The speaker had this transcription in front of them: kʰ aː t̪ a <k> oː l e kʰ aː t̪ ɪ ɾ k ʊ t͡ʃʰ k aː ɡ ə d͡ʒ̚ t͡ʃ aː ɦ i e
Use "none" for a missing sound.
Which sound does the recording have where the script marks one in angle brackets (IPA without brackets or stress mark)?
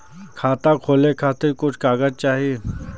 kʰ